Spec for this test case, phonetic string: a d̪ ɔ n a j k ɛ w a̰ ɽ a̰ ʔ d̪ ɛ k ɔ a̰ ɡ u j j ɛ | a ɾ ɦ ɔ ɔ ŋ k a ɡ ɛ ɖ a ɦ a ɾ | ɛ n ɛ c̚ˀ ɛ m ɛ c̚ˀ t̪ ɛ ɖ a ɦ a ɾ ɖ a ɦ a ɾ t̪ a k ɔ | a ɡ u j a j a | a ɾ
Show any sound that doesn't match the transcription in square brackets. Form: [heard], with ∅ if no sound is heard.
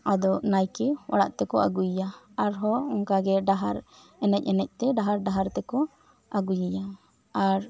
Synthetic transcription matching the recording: a d̪ ɔ n a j k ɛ w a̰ ɽ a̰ ʔ [t̪] ɛ k ɔ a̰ ɡ u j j [a] | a ɾ ɦ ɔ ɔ ŋ k a ɡ ɛ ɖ a ɦ a ɾ | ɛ n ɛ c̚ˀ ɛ [n] ɛ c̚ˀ t̪ ɛ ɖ a ɦ a ɾ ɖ a ɦ a ɾ t̪ [ɛ] k ɔ | a ɡ u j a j a | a ɾ